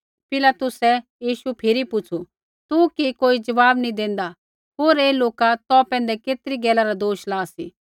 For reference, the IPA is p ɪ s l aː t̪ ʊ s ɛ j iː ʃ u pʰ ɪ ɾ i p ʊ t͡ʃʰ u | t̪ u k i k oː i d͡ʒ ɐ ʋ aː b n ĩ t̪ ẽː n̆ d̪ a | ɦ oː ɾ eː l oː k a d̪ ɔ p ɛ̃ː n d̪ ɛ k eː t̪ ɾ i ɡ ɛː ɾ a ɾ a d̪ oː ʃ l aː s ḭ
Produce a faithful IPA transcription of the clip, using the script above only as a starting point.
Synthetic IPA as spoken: p ɪ l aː t̪ ʊ s ɛ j iː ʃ u pʰ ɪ ɾ i p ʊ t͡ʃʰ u | t̪ u k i k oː i d͡ʒ ɐ ʋ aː b n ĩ d̪ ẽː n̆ d̪ a | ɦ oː ɾ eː l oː k a t̪ ɔ p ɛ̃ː n d̪ ɛ k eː t̪ ɾ i ɡ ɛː l a ɾ a d̪ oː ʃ l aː s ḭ